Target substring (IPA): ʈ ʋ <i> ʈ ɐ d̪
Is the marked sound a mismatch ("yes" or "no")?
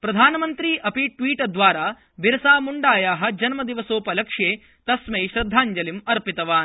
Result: yes